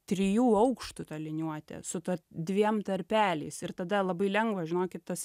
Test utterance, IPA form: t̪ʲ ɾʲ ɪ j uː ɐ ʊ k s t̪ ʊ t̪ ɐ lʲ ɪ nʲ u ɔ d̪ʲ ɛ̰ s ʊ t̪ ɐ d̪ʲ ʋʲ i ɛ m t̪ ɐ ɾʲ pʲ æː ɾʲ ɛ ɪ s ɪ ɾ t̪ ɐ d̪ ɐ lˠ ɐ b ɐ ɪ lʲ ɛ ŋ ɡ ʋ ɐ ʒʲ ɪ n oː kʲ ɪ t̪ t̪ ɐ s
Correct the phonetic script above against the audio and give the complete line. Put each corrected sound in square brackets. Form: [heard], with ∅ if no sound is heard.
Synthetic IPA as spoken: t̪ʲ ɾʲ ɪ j uː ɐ ʊ k [ʃ] t̪ ʊ t̪ ɐ lʲ ɪ nʲ u ɔ [t̪ʲ] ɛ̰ s ʊ t̪ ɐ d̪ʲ ʋʲ i ɛ m t̪ ɐ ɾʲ pʲ æː [lʲ] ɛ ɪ s ɪ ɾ t̪ ɐ d̪ ɐ lˠ ɐ b ɐ ɪ lʲ ɛ ŋ ɡ ʋ ɐ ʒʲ ɪ n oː kʲ ɪ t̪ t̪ ɐ s

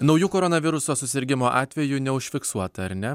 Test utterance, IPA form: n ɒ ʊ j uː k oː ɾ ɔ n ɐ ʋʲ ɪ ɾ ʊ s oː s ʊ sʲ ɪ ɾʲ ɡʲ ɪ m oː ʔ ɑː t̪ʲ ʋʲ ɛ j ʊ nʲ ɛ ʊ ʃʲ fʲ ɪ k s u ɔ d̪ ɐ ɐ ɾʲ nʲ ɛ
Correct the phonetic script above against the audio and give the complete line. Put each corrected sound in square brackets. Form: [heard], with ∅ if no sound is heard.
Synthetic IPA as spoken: n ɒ ʊ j uː k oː ɾ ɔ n ɐ ʋʲ ɪ ɾ ʊ s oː s ʊ sʲ ɪ ɾʲ ɡʲ ɪ m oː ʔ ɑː t̪ʲ ʋʲ ɛ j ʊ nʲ ɛ ʊ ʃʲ fʲ ɪ k s u ɔ [t̪] ɐ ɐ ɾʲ nʲ ɛ

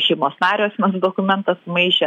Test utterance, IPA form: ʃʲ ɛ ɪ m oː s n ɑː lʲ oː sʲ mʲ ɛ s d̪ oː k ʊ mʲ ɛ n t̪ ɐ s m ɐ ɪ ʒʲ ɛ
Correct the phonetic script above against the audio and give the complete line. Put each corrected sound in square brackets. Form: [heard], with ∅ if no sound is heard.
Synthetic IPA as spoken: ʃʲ ɛ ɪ m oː s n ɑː [ɾʲ] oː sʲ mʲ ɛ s d̪ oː k ʊ mʲ ɛ n t̪ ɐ s m ɐ ɪ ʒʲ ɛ

